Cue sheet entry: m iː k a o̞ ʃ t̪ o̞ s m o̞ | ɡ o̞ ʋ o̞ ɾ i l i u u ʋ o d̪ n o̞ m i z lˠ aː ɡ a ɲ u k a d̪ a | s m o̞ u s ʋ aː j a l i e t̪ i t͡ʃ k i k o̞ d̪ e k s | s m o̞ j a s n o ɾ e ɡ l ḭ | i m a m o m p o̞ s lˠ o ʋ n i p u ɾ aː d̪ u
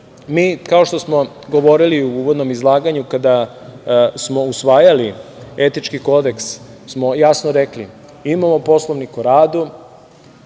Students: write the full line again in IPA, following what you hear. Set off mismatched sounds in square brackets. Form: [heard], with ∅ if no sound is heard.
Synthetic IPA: m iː k a o̞ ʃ t̪ o̞ s m o̞ | ɡ o̞ ʋ o̞ ɾ i l i u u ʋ o d̪ n o̞ m i z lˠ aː ɡ a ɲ u k a d̪ a | s m o̞ u s ʋ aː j a l i e t̪ i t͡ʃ k i k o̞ d̪ e k s | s m o̞ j a s n o ɾ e [k] l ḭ | i m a m o [∅] p o̞ s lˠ o ʋ n i [k] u ɾ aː d̪ u